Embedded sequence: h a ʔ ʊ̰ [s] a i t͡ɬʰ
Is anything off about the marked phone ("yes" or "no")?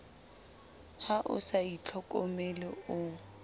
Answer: no